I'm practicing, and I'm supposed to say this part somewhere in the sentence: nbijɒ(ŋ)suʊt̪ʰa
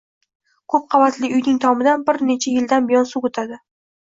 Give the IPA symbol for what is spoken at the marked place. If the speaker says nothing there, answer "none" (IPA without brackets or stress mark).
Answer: n